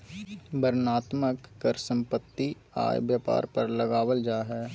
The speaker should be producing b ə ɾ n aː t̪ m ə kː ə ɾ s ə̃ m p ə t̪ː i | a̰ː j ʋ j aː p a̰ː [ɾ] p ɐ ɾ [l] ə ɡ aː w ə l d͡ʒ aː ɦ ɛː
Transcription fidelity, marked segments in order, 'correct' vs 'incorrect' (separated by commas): correct, correct